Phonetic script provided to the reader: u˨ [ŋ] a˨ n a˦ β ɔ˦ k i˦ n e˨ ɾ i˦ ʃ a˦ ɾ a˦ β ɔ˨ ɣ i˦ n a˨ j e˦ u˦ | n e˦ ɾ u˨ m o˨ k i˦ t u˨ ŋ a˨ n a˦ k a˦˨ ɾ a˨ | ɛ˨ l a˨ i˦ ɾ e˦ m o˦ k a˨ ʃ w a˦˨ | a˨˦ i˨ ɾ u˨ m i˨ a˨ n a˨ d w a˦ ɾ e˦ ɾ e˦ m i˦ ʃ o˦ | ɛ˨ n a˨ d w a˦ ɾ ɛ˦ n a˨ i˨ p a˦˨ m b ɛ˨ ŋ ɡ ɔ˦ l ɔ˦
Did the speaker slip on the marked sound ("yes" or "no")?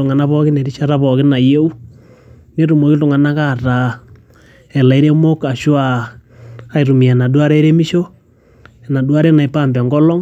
no